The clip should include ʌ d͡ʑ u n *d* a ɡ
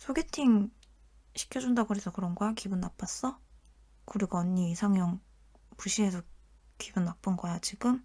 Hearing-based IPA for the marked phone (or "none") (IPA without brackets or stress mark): d